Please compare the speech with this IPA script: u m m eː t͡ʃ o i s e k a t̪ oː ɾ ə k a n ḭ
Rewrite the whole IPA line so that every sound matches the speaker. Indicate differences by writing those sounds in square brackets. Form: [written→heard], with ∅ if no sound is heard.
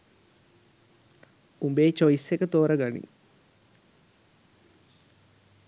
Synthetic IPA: u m [m→b] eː t͡ʃ o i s e k [a→ə] t̪ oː ɾ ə [k→ɡ] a n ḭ